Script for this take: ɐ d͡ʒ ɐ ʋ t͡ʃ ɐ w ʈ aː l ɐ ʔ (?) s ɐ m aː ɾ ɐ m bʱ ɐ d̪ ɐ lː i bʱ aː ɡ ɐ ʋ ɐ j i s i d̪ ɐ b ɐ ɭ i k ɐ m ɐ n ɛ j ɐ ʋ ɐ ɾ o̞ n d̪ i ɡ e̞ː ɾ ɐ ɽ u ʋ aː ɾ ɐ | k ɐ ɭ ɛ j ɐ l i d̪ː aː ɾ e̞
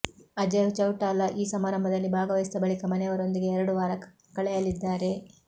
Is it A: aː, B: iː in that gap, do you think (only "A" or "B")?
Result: B